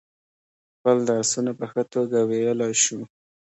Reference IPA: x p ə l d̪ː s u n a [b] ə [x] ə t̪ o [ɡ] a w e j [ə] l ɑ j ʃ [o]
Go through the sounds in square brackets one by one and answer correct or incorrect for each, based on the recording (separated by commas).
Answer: incorrect, correct, correct, correct, incorrect